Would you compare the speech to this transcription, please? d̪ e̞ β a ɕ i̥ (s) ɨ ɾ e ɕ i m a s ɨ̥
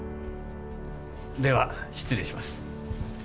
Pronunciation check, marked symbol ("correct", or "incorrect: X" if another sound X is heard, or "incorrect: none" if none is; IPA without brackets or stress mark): incorrect: t͡s